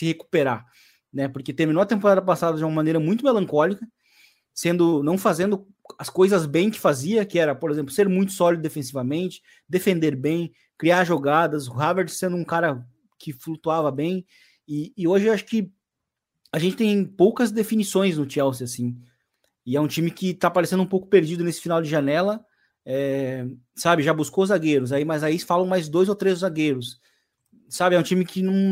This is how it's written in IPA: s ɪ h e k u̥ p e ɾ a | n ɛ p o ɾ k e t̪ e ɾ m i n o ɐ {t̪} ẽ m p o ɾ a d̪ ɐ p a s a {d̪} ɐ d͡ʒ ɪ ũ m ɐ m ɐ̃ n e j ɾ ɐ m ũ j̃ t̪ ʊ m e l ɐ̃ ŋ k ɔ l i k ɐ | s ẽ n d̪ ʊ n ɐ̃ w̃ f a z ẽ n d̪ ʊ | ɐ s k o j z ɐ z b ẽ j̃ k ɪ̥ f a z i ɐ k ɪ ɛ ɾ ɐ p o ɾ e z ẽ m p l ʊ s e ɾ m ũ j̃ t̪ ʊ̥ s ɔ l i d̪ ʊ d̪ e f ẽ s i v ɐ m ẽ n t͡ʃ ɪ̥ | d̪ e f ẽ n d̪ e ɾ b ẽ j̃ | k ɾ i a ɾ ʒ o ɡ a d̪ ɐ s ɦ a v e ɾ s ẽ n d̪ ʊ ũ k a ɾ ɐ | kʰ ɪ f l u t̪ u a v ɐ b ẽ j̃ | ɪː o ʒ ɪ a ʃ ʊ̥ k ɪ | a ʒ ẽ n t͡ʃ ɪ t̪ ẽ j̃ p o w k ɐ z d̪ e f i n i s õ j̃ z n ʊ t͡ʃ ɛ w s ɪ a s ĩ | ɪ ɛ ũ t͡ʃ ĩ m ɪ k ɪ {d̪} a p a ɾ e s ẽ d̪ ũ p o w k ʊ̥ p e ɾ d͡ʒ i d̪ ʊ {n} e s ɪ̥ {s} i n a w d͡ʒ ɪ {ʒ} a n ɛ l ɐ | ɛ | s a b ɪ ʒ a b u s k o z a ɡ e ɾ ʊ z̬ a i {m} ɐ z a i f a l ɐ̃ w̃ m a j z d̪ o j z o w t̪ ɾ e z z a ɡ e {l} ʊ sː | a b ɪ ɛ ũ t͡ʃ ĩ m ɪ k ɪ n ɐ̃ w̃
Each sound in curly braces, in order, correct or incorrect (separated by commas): correct, correct, incorrect, correct, incorrect, correct, correct, incorrect